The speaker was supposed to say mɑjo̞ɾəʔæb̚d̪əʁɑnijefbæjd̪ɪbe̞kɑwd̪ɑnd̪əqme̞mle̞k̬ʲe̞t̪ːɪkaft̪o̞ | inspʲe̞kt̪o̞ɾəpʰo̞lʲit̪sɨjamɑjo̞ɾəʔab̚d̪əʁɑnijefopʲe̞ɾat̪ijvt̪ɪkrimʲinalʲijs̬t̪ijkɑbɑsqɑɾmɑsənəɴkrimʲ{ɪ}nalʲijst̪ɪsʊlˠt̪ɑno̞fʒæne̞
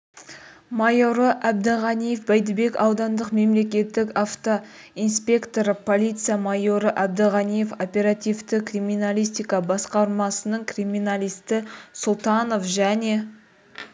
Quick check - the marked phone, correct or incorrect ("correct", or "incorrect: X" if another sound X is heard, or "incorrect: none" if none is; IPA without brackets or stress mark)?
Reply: incorrect: i